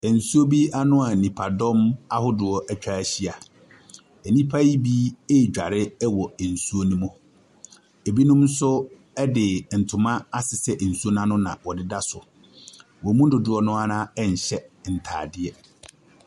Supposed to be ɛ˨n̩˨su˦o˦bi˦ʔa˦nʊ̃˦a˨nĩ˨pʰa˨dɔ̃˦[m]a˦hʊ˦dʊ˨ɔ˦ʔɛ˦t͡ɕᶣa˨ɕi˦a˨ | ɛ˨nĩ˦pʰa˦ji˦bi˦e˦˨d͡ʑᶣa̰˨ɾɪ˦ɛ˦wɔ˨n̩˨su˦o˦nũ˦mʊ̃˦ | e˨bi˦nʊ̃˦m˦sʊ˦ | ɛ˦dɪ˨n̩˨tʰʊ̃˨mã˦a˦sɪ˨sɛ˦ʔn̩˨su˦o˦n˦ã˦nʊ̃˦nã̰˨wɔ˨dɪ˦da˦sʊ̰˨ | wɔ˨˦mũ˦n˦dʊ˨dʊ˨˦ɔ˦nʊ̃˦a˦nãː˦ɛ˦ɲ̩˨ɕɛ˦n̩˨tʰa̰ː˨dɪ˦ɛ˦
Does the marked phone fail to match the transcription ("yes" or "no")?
no